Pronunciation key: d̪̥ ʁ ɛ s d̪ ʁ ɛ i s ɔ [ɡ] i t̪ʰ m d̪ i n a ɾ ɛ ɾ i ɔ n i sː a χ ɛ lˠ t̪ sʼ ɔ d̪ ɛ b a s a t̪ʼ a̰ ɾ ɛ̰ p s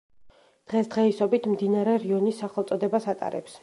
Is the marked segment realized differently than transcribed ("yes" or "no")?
yes